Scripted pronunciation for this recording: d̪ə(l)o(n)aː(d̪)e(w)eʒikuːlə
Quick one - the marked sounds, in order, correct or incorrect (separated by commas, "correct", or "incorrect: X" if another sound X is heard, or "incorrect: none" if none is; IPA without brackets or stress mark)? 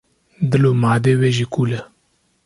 correct, incorrect: m, correct, correct